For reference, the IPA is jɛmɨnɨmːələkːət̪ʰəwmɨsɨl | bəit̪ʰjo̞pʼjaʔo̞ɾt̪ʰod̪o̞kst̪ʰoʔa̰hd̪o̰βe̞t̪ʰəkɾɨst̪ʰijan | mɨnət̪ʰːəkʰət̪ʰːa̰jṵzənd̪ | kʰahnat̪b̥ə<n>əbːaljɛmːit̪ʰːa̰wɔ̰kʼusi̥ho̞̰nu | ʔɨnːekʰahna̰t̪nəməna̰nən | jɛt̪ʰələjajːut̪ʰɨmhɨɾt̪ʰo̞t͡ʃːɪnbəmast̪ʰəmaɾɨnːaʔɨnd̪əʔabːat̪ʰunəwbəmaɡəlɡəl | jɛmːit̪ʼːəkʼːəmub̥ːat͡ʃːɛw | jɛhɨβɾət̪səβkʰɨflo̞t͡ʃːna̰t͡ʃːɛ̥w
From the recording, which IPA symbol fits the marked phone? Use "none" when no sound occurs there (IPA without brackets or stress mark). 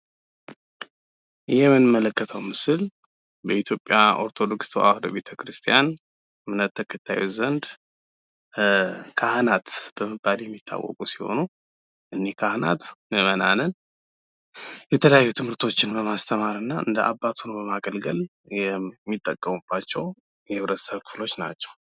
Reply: m